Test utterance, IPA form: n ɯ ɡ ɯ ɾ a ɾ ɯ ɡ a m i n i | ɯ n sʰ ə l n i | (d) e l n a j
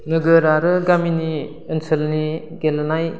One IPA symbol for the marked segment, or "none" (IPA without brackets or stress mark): ɡ